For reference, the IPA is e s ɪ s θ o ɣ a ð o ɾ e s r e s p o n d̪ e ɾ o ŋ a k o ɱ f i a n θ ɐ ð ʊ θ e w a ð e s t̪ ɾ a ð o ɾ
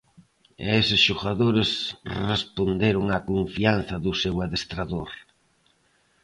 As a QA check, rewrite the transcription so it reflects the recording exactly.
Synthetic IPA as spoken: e s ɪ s ʃ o ɣ a ð o ɾ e s r e s p o n d̪ e ɾ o ŋ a k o ɱ f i a n θ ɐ ð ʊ s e w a ð e s t̪ ɾ a ð o ɾ